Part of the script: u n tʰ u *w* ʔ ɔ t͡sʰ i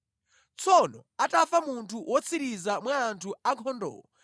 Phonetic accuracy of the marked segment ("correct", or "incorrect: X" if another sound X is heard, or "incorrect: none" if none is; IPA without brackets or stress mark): correct